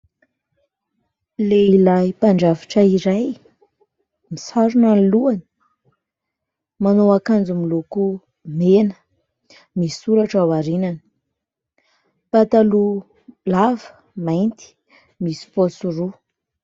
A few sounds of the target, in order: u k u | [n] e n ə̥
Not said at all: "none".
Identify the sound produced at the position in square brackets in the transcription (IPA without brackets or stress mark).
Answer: m